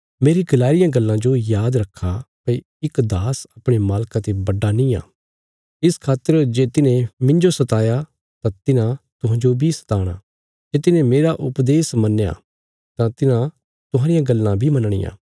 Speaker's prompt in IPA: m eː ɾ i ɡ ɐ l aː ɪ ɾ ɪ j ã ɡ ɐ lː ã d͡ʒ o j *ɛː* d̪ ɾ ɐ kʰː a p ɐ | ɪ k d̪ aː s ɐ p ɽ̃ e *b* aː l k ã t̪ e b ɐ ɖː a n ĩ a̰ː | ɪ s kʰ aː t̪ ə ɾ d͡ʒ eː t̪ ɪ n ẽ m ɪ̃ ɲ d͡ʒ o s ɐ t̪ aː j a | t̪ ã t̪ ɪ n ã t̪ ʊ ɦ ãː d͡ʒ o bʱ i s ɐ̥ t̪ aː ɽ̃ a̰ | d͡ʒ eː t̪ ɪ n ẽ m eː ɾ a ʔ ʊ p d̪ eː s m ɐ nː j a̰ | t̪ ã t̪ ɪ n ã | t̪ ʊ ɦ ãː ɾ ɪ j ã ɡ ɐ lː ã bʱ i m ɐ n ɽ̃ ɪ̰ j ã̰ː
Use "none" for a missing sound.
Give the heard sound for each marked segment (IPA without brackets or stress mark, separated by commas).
aː, m